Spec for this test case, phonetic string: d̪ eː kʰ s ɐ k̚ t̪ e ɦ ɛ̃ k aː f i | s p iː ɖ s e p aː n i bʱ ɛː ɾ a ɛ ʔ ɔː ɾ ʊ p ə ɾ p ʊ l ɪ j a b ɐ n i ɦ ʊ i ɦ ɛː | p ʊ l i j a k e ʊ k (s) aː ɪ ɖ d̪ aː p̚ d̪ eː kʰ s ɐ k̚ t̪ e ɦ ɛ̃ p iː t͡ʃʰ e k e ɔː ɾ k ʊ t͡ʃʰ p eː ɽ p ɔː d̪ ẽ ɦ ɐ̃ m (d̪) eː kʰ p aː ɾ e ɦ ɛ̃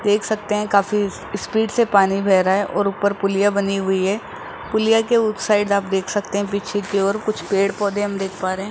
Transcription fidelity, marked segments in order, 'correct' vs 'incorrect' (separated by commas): correct, correct